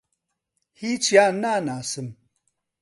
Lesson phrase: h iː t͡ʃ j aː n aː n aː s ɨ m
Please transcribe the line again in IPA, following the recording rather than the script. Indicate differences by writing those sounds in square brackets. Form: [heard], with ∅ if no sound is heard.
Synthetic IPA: h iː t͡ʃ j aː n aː n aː s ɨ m